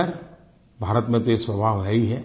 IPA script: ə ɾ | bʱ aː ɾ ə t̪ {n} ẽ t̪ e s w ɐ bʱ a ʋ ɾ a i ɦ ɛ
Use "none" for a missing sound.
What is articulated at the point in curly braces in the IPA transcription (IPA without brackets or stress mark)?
m